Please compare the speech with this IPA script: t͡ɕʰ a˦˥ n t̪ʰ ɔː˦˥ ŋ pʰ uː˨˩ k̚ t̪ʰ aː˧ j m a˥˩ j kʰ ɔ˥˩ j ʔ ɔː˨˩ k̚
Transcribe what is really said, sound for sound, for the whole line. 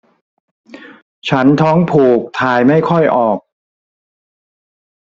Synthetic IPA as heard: t͡ɕʰ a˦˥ n t̪ʰ ɔː˦˥ ŋ pʰ uː˨˩ k̚ t̪ʰ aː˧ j m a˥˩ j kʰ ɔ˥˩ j ʔ ɔː˨˩ k̚